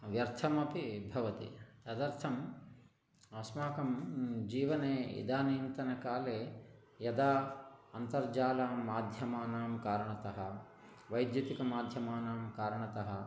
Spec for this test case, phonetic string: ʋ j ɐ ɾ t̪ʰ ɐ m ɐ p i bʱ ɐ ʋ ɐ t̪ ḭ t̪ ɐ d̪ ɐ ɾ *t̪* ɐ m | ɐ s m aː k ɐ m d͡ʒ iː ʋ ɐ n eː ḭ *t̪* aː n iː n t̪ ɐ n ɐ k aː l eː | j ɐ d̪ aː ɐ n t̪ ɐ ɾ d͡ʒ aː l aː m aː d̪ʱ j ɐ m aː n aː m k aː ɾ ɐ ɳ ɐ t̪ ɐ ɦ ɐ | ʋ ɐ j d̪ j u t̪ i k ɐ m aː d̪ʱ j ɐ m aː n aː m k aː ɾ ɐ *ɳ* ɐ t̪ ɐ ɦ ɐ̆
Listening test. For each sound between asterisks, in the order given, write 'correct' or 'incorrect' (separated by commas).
incorrect, incorrect, correct